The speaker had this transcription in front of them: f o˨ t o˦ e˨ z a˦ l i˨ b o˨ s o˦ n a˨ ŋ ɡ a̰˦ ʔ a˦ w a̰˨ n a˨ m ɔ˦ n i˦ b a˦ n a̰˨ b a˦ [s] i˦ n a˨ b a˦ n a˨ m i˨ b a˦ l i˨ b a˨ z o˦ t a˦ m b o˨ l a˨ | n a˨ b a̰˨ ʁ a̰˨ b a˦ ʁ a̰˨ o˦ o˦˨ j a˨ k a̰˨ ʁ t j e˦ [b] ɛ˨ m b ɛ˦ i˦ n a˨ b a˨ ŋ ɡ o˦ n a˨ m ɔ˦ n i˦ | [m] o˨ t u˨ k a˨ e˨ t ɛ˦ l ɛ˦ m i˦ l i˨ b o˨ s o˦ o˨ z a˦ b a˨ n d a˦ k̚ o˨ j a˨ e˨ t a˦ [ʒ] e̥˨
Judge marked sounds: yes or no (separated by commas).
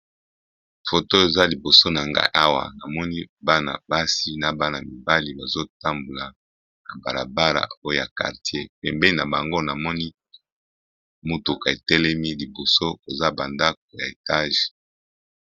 yes, no, yes, yes